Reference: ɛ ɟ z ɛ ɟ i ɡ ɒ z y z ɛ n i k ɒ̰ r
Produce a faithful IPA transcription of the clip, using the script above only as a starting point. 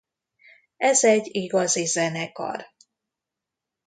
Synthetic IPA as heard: ɛ z ɛ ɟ i ɡ ɒ z i z ɛ n ɛ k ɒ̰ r